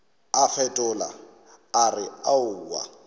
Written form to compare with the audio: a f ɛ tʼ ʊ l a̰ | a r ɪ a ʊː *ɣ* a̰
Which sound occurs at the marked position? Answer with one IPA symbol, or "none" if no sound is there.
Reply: w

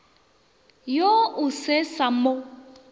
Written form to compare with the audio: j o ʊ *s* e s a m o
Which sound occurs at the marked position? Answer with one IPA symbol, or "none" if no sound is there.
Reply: s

